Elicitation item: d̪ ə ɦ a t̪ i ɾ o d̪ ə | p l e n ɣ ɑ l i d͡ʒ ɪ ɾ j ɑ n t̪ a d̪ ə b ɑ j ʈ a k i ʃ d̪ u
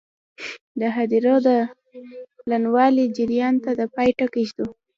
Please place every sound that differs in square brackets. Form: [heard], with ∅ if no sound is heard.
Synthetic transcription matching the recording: d̪ ə ɦ a [d̪] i ɾ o d̪ ə | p l [a] n [w] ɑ l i d͡ʒ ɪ ɾ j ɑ n t̪ a d̪ ə [p] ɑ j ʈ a k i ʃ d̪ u